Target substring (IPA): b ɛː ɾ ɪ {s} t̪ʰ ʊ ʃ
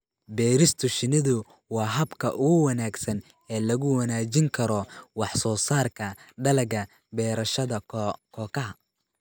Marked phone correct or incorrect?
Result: correct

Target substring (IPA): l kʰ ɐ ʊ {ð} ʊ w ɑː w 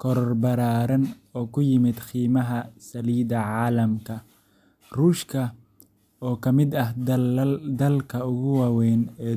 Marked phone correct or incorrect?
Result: incorrect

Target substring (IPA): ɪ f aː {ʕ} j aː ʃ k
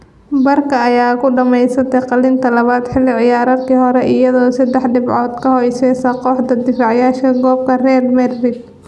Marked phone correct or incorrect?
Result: correct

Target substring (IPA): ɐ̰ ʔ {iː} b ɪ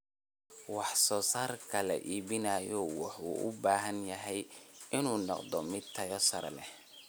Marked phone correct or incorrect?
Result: correct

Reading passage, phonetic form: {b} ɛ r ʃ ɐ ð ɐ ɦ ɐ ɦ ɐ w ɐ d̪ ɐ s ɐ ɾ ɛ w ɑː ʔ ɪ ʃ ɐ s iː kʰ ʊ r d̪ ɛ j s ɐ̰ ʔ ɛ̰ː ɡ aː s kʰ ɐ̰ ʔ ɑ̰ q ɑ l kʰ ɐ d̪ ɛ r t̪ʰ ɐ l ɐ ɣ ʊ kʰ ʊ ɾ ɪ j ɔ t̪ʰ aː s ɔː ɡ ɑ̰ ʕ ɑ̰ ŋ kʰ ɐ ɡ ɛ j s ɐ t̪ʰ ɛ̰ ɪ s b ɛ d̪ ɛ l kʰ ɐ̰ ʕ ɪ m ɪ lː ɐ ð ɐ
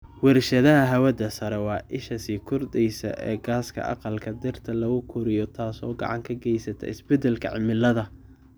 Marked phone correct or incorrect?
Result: incorrect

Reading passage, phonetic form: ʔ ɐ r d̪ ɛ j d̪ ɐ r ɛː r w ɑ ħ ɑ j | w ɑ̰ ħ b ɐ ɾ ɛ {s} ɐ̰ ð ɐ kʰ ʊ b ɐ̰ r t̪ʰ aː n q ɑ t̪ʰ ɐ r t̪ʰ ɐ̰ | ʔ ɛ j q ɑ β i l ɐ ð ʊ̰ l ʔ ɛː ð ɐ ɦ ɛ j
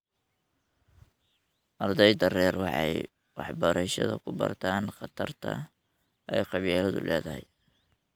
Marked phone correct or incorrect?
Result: incorrect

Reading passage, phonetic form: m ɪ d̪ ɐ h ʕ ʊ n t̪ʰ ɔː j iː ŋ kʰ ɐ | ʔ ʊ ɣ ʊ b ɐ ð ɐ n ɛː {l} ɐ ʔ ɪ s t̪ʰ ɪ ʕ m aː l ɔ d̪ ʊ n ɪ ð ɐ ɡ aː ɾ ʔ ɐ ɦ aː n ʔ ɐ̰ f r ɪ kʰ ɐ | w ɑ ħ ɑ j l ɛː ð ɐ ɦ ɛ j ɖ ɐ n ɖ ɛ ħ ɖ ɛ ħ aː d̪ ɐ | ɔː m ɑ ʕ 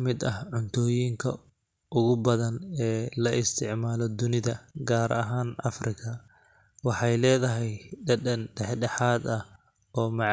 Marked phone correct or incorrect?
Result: correct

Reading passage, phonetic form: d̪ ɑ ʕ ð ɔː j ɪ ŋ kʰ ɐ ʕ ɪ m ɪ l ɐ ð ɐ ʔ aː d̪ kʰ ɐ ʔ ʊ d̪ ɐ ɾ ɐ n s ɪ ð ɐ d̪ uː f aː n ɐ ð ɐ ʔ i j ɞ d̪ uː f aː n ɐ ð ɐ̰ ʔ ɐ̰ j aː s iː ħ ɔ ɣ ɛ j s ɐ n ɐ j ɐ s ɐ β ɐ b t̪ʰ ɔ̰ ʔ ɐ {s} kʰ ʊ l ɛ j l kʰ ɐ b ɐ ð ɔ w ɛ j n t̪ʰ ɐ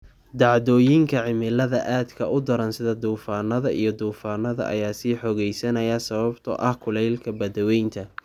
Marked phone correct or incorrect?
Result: incorrect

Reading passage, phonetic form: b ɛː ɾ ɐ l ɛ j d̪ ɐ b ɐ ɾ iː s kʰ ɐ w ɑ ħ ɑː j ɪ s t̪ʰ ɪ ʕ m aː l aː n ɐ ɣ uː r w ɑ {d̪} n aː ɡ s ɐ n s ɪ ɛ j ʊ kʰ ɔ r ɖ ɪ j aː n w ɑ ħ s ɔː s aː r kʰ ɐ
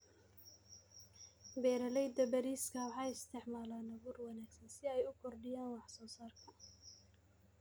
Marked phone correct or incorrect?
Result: incorrect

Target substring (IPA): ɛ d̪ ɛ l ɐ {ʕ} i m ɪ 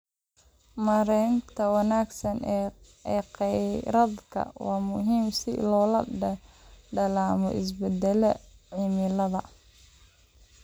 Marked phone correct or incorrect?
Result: correct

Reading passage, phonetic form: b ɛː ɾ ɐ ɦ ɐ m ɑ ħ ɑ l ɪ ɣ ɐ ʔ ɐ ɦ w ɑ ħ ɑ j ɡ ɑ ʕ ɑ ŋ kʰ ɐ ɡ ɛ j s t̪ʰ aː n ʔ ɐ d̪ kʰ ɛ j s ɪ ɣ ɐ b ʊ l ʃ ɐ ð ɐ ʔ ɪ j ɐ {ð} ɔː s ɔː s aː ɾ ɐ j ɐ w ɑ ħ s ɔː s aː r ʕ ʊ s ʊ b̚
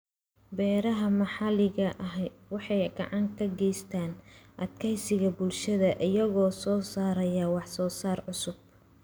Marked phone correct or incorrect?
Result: incorrect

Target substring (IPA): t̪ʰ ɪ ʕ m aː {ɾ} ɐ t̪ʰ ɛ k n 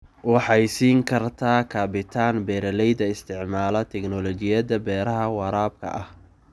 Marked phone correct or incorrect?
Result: incorrect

